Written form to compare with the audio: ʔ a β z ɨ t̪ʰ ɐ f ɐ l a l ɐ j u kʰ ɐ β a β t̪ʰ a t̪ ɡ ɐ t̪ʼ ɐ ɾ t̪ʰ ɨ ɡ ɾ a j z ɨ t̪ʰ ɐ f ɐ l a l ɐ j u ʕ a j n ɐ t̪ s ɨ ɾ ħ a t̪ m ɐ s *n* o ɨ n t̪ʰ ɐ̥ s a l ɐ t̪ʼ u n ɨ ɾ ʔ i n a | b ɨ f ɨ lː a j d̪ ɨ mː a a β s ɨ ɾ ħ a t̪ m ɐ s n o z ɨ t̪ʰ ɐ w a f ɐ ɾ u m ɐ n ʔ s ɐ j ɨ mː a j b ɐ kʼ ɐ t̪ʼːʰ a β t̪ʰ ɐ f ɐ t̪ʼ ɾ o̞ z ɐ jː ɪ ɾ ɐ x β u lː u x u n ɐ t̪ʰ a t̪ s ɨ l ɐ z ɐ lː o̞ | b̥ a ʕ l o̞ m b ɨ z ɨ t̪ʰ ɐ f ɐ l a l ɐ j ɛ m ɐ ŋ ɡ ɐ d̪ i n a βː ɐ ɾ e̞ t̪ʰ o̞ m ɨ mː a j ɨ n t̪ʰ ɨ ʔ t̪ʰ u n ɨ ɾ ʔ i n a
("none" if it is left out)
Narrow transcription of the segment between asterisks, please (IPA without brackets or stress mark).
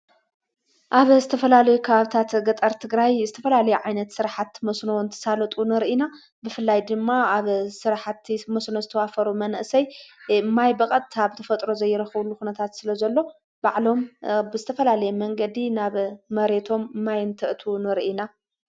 n